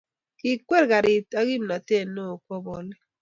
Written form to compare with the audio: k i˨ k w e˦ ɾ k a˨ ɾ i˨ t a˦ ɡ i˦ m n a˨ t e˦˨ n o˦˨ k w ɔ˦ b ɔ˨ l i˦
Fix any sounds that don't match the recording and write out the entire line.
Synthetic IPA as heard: k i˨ k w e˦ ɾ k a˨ ɾ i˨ t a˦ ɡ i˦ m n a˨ t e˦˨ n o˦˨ k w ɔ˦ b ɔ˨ l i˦